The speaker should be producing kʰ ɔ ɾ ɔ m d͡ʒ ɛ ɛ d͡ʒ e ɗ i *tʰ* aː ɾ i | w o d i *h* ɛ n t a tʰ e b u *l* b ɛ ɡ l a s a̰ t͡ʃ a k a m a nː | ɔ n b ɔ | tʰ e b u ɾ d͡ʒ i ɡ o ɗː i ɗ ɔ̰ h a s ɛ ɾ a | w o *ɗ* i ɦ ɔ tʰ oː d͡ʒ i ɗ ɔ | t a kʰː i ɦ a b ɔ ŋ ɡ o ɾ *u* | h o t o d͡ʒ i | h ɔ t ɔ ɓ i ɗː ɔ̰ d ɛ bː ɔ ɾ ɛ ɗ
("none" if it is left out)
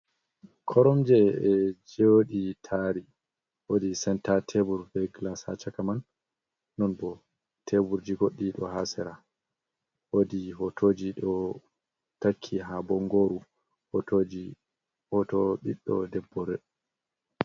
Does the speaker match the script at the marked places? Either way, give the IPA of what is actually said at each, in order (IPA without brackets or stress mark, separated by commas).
tʰ, s, ɾ, d, u